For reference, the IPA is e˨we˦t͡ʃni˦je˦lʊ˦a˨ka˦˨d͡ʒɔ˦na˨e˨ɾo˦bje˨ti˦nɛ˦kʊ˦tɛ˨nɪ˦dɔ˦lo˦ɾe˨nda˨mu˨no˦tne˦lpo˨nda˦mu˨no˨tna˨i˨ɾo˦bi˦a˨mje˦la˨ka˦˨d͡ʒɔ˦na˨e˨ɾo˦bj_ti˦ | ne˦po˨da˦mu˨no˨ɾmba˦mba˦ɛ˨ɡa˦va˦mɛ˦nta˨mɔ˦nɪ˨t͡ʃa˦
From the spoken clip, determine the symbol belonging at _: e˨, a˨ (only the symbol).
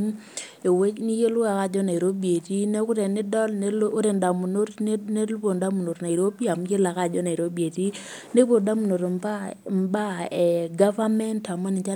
e˨